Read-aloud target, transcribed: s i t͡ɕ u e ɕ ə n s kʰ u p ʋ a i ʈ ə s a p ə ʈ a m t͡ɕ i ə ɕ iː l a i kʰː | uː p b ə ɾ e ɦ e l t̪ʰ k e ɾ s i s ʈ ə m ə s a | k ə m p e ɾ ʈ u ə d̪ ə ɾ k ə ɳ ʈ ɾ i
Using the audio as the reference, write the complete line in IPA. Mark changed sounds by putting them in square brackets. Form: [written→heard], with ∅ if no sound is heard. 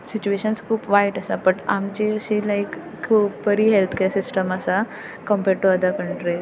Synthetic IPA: s i t͡ɕ u e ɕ ə n s kʰ [u→uː] p ʋ a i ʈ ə s a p ə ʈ a m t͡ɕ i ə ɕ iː l a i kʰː | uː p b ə ɾ [e→i] ɦ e l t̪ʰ k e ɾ s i s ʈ ə m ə s a | k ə m p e ɾ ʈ u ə d̪ ə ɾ k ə ɳ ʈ ɾ i